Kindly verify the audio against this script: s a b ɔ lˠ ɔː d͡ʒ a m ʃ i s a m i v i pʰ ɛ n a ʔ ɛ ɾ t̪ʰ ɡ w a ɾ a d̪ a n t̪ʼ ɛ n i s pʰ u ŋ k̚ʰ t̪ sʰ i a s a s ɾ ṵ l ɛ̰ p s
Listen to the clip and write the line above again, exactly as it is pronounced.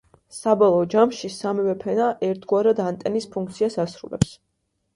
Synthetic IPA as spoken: s a b ɔ lˠ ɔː d͡ʒ a m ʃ i s a m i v ɛ pʰ ɛ n a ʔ ɛ ɾ t̪ʰ ɡ w a ɾ a d̪ a n t̪ʼ ɛ n i s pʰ u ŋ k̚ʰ t̪ sʰ i a s a s ɾ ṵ l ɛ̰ p s

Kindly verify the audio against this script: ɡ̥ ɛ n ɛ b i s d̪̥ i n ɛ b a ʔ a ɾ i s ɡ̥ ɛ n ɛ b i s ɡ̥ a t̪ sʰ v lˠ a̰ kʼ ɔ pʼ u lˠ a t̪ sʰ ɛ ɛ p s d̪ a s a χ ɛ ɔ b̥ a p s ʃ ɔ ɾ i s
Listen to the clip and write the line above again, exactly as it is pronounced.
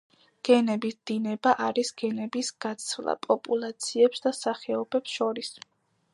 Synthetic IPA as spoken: ɡ̥ ɛ n ɛ b i s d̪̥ i n ɛ b a ʔ a ɾ i s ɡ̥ ɛ n ɛ b i s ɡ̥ a t̪ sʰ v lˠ a̰ pʼ ɔ pʼ u lˠ a t̪ sʰ i ɛ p s d̪ a s a χ ɛ ɔ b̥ ɛ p s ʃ ɔ ɾ i s

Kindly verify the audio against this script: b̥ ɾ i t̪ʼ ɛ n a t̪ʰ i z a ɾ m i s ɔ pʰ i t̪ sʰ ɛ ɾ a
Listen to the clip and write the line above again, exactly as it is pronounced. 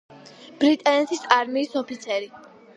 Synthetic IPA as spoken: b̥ ɾ i t̪ʼ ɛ n ɛ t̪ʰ i s a ɾ m iː s ɔ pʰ i t̪ sʰ ɛ ɾ i

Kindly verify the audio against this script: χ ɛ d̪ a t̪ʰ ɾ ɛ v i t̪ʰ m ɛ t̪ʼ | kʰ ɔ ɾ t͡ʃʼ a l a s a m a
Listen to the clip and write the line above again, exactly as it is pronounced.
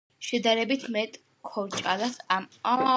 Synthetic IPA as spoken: ʃ ɛ d̪ a ɾ ɛ b i t̪ʰ m ɛ t̪ʼ | kʰ ɔ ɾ t͡ʃʼ a l a s a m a

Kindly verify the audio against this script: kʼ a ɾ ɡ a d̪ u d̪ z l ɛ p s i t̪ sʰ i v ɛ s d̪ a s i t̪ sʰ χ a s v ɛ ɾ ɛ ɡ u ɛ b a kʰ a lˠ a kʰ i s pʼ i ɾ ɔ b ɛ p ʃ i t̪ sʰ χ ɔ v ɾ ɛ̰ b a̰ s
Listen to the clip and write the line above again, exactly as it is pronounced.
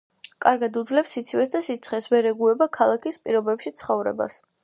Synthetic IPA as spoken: kʼ a ɾ ɡ a d̪ u d̪ z l ɛ p s i t̪ sʰ i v ɛ s d̪ a s i t̪ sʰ χ ɛ s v ɛ ɾ ɛ ɡ u ɛ b a kʰ a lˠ a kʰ i s pʼ i ɾ ɔ b ɛ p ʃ i t̪ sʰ χ ɔ v ɾ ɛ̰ b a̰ s

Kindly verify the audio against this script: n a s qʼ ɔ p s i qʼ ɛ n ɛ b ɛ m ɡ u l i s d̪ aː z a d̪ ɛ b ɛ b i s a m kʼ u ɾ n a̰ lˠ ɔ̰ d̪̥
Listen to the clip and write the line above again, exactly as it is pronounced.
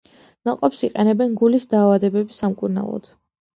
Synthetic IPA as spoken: n a qʼ ɔ p s i qʼ ɛ n ɛ b ɛ n ɡ u l i s d̪ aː v a d̪ ɛ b ɛ b i s a m kʼ u ɾ n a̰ lˠ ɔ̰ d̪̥

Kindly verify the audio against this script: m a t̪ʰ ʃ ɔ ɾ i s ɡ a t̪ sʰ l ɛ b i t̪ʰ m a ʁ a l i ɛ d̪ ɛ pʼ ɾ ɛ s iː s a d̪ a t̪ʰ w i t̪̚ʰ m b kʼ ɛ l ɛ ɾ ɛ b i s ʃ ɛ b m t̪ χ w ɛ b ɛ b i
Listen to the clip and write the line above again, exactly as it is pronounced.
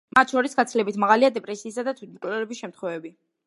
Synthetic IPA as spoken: m a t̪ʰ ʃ ɔ ɾ i s ɡ a t̪ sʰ l ɛ b i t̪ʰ m a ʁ a l i a d̪ ɛ pʼ ɾ ɛ s iː s a d̪ a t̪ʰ w i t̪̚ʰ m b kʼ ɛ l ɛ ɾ ɛ b i s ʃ ɛ m t̪ χ w ɛ v ɛ b i

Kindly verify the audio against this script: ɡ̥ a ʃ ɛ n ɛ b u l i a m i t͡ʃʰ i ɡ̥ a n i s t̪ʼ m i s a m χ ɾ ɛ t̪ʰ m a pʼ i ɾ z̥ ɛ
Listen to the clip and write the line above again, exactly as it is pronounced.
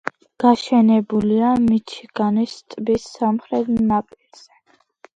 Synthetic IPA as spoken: ɡ̥ a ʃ ɛ n ɛ b u l i a m i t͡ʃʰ i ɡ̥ a n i s t̪ʼ b i s a m χ ɾ ɛ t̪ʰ n a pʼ i ɾ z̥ ɛ

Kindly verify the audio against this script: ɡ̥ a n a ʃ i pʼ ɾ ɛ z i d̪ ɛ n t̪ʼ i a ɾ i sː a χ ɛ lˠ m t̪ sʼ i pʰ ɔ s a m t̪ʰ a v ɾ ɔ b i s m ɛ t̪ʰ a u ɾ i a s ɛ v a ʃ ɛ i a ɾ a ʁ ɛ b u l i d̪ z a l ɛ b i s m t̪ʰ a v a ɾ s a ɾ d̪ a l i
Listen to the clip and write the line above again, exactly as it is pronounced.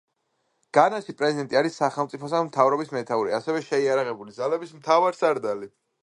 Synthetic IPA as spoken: ɡ̥ a n a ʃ i pʼ ɾ ɛ z i d̪ ɛ n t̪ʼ i a ɾ i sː a χ ɛ lˠ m t̪ sʼ i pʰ ɔ s a m t̪ʰ a v ɾ ɔ b i s m ɛ t̪ʰ a u ɾ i a s ɛ v ɛ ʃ ɛ i a ɾ a ʁ ɛ b u l i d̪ z a l ɛ b i s m t̪ʰ a v a ɾ s a ɾ d̪ a l i

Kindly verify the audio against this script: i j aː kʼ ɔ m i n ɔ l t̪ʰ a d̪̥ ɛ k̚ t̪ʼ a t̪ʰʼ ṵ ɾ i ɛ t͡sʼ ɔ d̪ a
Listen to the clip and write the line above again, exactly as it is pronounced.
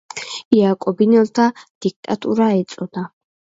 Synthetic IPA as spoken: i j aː kʼ ɔ b i n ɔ l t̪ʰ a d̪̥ i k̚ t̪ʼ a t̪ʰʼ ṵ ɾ a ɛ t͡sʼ ɔ d̪ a

